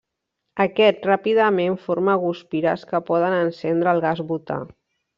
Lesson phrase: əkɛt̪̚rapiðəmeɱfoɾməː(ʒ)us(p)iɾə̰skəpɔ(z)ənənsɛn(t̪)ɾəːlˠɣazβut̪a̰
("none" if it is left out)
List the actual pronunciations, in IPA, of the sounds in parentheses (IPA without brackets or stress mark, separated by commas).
ɣ, p, ð, d̪